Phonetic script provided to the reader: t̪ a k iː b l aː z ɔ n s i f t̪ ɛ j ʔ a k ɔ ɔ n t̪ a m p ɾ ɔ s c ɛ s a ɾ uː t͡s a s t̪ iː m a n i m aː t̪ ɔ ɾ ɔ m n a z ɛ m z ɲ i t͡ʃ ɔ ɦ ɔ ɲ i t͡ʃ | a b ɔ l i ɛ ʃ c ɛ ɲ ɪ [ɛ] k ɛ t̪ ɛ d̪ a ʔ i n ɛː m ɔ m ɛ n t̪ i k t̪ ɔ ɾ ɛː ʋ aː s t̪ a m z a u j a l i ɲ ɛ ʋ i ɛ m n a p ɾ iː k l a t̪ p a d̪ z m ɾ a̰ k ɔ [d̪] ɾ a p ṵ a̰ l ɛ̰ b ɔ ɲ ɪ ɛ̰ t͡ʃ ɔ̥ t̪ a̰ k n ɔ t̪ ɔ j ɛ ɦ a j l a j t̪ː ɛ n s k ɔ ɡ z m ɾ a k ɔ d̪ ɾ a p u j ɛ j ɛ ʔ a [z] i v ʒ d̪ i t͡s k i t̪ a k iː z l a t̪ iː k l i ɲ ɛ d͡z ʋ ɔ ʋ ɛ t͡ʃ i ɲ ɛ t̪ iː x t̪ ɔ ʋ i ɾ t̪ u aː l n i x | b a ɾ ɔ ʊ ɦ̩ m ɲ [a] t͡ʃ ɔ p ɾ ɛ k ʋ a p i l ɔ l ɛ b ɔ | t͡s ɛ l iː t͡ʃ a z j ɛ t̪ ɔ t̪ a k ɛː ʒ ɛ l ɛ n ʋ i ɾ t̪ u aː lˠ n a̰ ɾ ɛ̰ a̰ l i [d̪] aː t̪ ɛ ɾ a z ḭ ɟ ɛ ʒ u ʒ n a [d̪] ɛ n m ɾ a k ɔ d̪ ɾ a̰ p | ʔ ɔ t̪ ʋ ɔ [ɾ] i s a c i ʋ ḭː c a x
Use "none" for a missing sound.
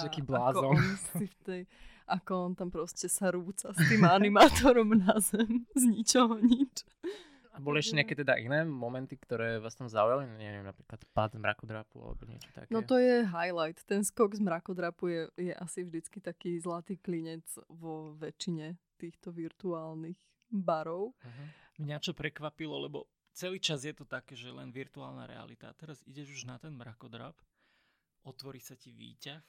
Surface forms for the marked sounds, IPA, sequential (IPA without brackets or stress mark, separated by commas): a, d̪, s, a, t̪, t̪, ɾ